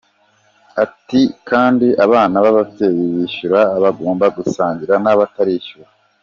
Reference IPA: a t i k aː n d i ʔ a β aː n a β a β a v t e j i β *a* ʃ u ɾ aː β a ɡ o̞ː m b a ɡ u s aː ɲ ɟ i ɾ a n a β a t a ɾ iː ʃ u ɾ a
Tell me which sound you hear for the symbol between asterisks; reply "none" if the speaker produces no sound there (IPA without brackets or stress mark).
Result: i